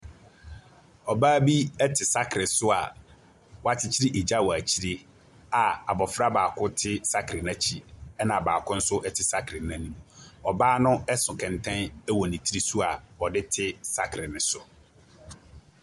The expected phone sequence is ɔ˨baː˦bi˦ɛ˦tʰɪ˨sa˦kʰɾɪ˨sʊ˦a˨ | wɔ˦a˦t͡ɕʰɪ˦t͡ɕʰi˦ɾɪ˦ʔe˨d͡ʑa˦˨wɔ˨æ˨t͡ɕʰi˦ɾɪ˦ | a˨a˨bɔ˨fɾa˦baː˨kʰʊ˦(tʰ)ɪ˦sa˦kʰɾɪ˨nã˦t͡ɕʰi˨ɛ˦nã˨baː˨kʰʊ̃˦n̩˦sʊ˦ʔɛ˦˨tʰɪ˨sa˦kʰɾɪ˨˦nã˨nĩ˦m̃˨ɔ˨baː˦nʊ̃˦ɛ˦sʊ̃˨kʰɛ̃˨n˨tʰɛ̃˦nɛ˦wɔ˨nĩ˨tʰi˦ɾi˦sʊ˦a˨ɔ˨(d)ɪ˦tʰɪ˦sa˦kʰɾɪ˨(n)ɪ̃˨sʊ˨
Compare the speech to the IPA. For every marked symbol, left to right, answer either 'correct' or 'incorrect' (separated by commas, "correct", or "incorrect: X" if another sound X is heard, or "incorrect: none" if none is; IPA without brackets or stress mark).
correct, correct, correct